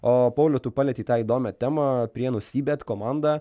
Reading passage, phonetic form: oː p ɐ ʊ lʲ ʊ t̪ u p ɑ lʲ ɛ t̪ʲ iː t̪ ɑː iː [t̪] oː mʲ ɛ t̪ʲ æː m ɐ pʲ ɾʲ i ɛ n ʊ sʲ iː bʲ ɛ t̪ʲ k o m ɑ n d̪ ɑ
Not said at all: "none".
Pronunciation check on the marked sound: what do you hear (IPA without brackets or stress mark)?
d̪